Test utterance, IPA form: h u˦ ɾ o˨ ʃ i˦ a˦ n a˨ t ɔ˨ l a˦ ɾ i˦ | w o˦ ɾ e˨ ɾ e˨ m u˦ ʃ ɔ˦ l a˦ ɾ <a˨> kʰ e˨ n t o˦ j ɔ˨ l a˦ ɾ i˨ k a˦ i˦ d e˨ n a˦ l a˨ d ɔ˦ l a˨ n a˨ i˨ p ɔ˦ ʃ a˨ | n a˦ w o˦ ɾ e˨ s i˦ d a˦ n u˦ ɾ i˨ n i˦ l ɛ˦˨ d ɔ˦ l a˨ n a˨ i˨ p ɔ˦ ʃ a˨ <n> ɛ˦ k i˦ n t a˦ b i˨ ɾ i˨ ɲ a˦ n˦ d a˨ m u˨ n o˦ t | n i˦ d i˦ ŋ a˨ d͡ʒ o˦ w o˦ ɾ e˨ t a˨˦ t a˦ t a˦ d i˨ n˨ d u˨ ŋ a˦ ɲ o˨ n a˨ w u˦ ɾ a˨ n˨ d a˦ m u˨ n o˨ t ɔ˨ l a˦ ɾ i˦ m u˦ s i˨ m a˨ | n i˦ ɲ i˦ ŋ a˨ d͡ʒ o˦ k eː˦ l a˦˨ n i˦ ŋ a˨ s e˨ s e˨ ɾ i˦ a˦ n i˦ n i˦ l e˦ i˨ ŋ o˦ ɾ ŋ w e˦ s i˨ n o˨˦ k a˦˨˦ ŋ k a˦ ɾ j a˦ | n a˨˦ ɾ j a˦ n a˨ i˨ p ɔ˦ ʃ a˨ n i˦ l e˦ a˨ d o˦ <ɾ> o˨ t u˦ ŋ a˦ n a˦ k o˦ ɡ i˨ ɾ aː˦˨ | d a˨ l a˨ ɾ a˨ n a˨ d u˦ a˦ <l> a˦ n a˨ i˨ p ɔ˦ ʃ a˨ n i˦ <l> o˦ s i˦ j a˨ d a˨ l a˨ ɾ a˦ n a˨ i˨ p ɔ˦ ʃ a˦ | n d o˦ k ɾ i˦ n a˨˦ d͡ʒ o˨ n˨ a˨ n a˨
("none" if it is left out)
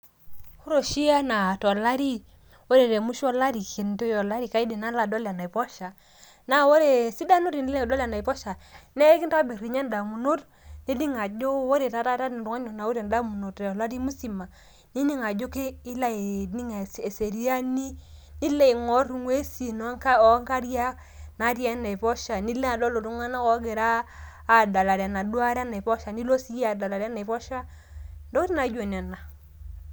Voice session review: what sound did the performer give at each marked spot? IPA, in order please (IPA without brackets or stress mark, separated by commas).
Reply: i˨, n, l, ɾ, l